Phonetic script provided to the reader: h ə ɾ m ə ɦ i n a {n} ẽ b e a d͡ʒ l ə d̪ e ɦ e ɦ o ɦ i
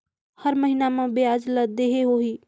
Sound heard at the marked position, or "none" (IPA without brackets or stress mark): m